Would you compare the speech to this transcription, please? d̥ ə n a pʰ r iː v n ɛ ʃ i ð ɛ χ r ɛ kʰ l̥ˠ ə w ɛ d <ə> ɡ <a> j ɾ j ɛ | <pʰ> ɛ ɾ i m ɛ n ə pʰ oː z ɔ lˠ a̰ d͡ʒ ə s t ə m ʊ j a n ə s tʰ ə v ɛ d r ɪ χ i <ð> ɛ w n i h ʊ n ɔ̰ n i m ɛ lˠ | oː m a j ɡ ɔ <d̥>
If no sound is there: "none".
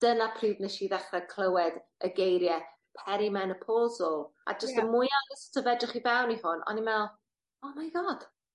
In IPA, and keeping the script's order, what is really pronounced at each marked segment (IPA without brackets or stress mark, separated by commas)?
ə, e, pʰ, v, d̥